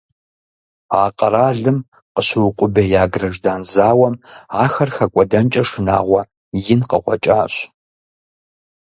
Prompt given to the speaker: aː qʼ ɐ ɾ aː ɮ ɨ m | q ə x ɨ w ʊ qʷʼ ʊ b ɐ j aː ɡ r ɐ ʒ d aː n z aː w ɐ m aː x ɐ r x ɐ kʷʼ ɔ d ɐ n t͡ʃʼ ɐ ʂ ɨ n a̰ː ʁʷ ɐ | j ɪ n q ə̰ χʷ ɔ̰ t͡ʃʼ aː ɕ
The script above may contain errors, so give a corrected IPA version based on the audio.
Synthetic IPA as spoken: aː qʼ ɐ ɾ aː ɮ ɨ m | q ə ɕ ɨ w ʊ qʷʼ ʊ b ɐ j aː ɡ r ɐ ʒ d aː n z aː w ɐ m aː x ɐ r x ɐ kʷʼ ɔ d ɐ n t͡ʃʼ ɐ ʂ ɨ n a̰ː ʁʷ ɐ | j ɪ n q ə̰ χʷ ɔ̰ t͡ʃʼ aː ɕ